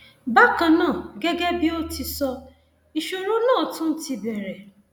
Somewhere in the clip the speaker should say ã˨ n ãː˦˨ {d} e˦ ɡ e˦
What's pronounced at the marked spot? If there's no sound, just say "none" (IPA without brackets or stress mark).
ɡ